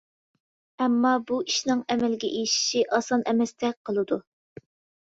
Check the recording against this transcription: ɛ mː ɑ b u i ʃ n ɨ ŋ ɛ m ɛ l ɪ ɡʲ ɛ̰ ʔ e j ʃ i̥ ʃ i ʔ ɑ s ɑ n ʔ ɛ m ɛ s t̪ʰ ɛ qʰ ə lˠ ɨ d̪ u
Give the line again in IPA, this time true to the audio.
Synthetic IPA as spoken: ɛ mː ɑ b u i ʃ n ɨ ŋ ɛ m ɛ l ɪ ɡʲ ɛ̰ ʔ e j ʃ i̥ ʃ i ʔ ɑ s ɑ n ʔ ɛ m ɛ s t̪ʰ ɛ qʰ ə lˠ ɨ d̪ u